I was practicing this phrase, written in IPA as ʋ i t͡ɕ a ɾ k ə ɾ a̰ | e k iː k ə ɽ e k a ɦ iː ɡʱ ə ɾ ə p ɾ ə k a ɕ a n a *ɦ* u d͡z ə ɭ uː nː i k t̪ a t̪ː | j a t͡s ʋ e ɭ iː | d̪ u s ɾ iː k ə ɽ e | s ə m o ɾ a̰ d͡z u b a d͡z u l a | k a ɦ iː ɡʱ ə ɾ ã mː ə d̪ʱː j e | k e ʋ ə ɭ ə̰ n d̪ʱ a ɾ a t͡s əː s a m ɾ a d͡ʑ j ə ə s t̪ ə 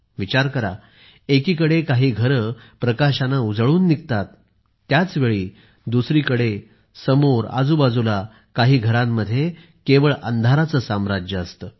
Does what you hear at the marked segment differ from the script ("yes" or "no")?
yes